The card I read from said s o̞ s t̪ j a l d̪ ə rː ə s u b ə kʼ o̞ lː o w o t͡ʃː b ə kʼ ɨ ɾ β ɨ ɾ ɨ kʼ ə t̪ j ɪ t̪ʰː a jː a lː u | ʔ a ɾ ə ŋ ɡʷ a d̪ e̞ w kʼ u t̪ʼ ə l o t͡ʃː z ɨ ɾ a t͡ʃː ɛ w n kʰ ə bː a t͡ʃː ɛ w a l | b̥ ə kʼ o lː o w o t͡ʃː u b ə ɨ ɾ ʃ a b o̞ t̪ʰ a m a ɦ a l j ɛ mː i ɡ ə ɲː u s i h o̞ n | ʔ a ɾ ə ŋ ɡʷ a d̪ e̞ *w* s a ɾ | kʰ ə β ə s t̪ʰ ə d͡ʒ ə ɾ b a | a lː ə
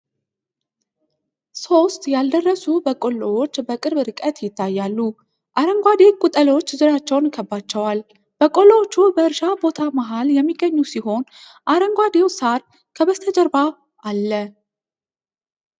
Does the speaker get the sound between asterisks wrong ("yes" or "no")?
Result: no